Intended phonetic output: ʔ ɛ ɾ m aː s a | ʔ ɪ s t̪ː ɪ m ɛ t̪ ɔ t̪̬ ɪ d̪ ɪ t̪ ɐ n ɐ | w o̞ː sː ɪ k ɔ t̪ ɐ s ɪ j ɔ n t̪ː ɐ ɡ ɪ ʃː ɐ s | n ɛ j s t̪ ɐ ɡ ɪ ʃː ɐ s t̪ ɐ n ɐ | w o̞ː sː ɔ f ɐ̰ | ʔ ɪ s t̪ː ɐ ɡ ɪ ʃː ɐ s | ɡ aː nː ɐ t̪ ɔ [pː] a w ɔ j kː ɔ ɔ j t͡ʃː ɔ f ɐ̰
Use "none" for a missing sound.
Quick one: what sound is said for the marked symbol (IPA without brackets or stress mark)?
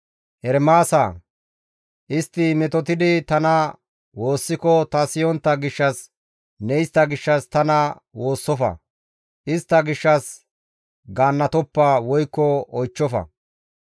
pː